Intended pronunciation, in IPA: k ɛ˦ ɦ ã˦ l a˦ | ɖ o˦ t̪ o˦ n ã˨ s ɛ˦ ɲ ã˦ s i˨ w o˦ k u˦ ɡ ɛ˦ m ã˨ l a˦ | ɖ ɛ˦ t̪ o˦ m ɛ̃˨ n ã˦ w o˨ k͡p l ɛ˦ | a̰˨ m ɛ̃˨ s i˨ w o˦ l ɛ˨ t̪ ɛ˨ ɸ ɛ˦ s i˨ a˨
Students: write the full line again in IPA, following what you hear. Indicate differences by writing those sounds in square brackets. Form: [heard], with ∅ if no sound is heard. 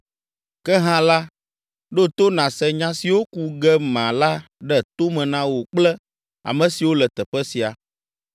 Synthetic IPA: k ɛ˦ ɦ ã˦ l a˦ | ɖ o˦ t̪ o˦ n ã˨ s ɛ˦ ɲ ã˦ s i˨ w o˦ k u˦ ɡ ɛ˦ m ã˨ l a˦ | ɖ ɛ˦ t̪ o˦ m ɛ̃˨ n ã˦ w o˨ k͡p l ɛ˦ | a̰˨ m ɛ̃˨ s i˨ w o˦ l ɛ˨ t̪ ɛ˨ ɸ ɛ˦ s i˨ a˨

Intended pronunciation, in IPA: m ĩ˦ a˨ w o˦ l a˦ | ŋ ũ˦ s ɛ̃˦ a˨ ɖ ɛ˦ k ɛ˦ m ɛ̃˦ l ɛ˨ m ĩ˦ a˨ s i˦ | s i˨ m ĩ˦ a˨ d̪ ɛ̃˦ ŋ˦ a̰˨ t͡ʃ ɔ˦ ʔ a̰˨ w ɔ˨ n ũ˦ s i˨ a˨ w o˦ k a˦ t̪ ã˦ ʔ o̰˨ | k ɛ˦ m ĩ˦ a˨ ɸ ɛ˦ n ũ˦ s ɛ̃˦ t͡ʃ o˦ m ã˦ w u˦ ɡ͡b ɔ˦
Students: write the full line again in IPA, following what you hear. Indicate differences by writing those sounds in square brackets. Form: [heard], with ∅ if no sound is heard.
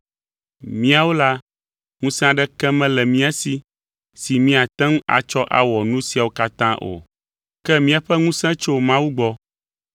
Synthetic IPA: m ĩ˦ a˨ w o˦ l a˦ | ŋ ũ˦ s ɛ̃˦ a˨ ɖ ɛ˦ k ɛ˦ m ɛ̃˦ l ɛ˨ m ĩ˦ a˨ s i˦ | s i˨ m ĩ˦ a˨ [t̪] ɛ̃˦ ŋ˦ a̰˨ t͡ʃ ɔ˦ ʔ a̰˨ w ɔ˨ n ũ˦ s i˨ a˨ w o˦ k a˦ t̪ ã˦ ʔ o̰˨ | k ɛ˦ m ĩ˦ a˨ ɸ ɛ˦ [ŋ] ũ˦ s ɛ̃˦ t͡ʃ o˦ m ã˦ w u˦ ɡ͡b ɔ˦

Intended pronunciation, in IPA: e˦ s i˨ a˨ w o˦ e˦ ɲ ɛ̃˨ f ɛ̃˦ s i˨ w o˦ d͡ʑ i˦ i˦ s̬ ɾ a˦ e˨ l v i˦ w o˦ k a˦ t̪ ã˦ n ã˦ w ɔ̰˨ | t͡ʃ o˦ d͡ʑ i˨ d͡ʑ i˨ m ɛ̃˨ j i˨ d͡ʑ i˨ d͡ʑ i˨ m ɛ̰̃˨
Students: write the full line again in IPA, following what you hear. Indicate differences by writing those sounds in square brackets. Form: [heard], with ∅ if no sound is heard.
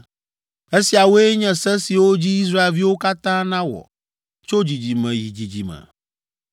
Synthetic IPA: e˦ s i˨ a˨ w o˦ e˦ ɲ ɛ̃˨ [s] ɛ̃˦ s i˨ w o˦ d͡ʑ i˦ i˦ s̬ ɾ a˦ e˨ l v i˦ w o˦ k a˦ t̪ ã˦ n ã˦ w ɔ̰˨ | t͡ʃ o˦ d͡ʑ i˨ d͡ʑ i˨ m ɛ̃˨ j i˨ d͡ʑ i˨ d͡ʑ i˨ m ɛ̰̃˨

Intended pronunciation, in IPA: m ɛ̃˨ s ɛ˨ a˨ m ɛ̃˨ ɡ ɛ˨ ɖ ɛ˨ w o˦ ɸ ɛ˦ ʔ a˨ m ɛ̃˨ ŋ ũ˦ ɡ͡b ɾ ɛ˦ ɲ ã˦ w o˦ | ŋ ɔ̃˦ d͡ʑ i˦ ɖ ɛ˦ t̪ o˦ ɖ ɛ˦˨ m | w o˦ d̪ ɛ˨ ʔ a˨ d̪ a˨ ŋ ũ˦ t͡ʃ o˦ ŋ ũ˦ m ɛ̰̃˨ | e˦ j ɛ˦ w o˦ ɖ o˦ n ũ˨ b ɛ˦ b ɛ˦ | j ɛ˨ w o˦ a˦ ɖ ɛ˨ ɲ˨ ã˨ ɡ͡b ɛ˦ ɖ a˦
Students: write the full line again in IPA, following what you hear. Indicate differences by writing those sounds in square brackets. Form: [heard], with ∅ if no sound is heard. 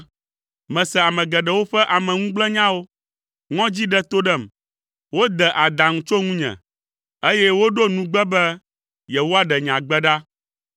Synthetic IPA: m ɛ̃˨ s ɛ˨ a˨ m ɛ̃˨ ɡ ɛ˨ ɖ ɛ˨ w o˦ ɸ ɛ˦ ʔ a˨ m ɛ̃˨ ŋ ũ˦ ɡ͡b [l] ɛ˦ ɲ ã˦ w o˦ | ŋ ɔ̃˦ d͡ʑ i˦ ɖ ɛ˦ t̪ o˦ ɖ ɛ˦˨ m | w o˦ d̪ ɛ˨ ʔ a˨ d̪ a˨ ŋ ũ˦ t͡ʃ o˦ ŋ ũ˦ [ɲ] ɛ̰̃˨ | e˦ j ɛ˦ w o˦ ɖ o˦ n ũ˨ [ɡ͡b] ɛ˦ b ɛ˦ | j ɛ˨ w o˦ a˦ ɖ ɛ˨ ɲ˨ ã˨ ɡ͡b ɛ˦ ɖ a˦

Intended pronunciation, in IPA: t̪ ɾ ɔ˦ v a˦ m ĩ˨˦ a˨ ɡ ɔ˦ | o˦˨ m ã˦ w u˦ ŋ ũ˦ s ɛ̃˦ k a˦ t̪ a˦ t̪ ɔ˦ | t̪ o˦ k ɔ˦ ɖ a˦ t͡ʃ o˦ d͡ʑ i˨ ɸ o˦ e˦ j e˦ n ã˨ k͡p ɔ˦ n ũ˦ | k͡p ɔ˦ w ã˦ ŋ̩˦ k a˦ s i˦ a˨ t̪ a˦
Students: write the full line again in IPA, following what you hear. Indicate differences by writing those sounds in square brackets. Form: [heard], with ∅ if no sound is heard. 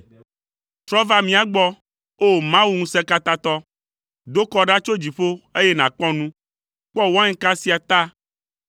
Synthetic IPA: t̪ ɾ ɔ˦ v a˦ m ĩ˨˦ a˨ [ɡ͡b] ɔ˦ | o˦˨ m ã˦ w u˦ ŋ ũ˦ s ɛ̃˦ k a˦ t̪ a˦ t̪ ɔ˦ | [d̪] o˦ k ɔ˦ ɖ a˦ t͡ʃ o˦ d͡ʑ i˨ ɸ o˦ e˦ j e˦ n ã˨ k͡p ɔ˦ n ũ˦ | k͡p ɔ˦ w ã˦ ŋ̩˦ k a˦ s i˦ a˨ t̪ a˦

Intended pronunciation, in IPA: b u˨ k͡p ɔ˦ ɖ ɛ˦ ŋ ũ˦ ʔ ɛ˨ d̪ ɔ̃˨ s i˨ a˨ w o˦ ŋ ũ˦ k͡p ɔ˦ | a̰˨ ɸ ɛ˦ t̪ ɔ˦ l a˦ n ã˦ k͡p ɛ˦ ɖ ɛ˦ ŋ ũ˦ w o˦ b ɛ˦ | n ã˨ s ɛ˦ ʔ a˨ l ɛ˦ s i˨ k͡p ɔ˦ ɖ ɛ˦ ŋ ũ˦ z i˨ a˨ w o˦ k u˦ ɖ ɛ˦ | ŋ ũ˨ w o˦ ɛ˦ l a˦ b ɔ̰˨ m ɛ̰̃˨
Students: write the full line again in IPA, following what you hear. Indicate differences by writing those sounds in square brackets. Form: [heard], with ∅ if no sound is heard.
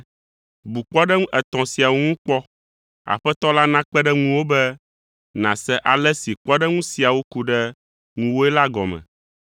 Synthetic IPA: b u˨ k͡p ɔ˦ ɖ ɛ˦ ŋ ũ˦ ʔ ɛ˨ [t̪] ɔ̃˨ s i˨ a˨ w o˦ ŋ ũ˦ k͡p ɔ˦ | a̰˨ ɸ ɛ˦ t̪ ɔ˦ l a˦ n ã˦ k͡p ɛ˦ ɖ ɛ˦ ŋ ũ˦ w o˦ b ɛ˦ | n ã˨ s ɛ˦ ʔ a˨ l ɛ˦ s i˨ k͡p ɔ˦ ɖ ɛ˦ ŋ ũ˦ [s] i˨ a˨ w o˦ k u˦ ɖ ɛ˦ | ŋ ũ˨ w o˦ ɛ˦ l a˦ [ɡ] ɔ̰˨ m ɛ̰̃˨

